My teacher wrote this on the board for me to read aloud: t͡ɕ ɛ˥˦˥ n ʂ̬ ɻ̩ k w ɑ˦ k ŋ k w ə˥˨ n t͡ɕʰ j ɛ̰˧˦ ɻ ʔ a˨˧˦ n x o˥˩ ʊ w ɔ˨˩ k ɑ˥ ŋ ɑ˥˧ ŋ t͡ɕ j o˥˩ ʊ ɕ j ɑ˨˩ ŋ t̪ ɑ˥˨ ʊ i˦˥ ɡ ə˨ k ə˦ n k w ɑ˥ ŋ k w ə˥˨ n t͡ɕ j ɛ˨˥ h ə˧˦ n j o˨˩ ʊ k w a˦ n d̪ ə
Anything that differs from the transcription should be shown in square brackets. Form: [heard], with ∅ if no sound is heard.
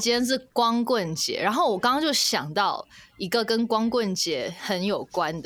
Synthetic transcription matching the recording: t͡ɕ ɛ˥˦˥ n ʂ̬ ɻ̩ k w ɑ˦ [∅] ŋ k w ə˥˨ n [t͡ɕ] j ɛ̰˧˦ ɻ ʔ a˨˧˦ n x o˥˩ ʊ w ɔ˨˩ k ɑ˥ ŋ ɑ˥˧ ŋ t͡ɕ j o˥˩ ʊ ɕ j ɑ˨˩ ŋ t̪ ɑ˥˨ ʊ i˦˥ ɡ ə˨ k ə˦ n k w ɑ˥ ŋ k w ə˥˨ n t͡ɕ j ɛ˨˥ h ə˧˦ n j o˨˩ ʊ k w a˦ n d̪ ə